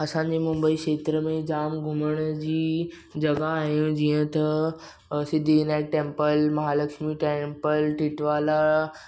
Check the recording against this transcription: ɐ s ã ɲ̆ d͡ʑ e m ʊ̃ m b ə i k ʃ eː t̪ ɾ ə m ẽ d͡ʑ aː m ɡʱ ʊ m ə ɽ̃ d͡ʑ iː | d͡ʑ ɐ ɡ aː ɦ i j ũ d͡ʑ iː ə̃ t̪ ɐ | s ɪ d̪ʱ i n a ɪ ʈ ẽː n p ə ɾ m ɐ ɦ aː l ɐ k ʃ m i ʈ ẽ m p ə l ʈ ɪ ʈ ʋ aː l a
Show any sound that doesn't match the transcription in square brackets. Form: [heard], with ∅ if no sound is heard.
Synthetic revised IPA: ɐ s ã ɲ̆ d͡ʑ e m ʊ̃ m b ə i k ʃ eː t̪ ɾ ə m ẽ d͡ʑ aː m ɡʱ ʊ m ə ɽ̃ d͡ʑ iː | d͡ʑ ɐ ɡ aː ɦ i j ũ d͡ʑ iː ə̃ t̪ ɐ | s ɪ d̪ʱ i n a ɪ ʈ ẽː [m] p ə [l] m ɐ ɦ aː l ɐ k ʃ m i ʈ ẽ m p ə l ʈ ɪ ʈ ʋ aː l a